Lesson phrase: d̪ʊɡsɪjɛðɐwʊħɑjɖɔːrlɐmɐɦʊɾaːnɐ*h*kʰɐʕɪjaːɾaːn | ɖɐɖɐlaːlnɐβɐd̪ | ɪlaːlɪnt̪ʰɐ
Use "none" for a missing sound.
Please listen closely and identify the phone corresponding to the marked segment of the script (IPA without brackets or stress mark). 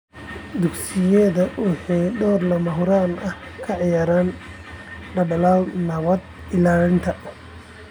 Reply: h